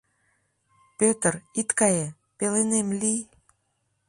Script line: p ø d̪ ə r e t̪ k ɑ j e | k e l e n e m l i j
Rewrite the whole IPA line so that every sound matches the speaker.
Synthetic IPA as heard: p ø t̪ ə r i t̪ k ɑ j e | p e l e n e m l i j